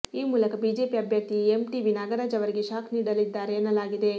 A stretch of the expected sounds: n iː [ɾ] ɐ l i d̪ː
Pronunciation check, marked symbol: incorrect: ɽ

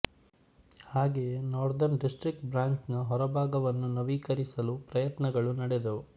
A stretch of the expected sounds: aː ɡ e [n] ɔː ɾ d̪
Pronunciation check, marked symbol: correct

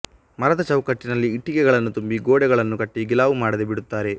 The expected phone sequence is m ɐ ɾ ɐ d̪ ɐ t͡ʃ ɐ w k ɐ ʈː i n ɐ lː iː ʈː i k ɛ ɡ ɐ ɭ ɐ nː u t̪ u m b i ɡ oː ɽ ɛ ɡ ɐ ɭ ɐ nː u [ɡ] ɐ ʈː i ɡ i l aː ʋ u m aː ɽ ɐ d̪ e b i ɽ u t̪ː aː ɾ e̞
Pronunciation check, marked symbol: incorrect: k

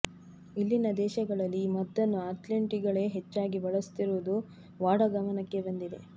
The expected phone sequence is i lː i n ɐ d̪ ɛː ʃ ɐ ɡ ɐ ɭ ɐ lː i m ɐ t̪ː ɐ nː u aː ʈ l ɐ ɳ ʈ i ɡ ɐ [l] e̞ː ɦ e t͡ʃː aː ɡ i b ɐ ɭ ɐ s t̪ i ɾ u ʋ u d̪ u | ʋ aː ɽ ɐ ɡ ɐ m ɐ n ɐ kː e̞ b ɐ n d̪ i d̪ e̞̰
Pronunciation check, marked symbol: incorrect: ɭ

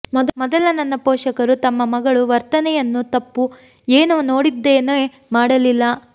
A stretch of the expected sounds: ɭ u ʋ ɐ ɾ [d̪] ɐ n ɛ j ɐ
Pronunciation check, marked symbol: incorrect: t̪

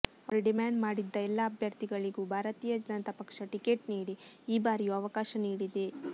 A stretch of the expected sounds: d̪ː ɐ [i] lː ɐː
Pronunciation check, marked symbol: incorrect: ɛ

